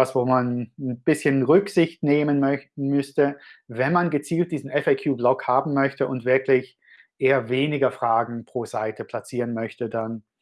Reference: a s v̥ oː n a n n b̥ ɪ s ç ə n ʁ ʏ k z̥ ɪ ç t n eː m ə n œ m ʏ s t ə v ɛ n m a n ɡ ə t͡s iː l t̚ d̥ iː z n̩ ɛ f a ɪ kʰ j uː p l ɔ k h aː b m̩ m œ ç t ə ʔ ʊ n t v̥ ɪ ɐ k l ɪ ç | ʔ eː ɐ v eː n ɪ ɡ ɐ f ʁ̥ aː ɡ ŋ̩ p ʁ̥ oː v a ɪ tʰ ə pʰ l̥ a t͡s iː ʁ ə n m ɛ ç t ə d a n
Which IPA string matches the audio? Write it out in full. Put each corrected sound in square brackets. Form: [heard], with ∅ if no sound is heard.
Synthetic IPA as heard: a s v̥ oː [m] a n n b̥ ɪ s ç ə n ʁ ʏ k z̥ ɪ ç t n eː m ə n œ m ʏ s t ə v ɛ n m a n ɡ ə t͡s iː l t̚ d̥ iː z n̩ ɛ f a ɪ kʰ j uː [b] l ɔ k h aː b m̩ m œ ç t ə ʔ ʊ n t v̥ ɪ ɐ k l ɪ ç | ʔ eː ɐ v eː n ɪ ɡ ɐ f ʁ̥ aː ɡ ŋ̩ p ʁ̥ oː [z] a ɪ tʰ ə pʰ l̥ a t͡s iː ʁ ə n m [œ] ç t ə d a n